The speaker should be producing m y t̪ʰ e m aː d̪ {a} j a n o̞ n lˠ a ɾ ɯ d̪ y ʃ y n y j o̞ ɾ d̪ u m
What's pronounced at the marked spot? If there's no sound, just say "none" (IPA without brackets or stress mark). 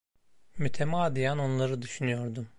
i